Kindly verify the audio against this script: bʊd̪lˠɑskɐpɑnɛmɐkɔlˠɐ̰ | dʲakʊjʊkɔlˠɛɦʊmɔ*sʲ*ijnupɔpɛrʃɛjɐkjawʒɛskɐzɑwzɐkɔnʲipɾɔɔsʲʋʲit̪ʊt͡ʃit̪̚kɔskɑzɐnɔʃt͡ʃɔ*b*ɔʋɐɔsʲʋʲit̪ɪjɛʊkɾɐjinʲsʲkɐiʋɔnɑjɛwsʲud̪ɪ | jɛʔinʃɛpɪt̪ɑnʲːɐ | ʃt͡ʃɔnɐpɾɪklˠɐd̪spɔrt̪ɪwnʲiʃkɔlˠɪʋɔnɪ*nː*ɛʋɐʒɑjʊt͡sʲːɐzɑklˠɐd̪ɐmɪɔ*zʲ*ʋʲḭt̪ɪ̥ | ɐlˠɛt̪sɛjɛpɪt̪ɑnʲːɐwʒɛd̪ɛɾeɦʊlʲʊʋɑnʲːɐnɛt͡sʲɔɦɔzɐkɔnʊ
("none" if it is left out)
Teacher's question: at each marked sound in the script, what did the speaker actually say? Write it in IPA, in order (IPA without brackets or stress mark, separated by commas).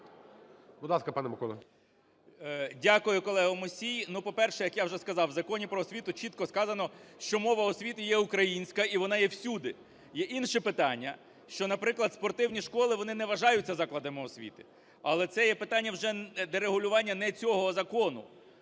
sʲ, m, n, sʲ